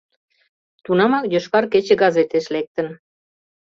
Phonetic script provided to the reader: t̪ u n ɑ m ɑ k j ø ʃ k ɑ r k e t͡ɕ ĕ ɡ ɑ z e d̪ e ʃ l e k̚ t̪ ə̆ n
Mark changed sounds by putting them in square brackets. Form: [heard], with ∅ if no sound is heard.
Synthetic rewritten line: t̪ u n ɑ m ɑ k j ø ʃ k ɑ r k e t͡ɕ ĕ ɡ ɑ z e [t̪] e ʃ l e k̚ t̪ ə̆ n

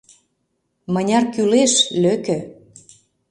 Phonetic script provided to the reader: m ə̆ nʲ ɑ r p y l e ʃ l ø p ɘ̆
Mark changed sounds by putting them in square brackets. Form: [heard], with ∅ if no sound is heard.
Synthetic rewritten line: m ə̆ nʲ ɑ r [k] y l e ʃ l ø [k] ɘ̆

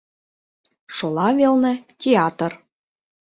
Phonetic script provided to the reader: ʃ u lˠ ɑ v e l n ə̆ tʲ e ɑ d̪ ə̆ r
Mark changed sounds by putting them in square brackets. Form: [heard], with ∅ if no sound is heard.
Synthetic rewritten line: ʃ [o] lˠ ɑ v e l n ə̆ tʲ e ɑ [t̪] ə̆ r

